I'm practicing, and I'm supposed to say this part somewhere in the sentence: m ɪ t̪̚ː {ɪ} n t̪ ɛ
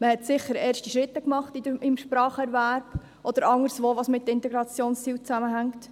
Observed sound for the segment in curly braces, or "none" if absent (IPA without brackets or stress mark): ɪ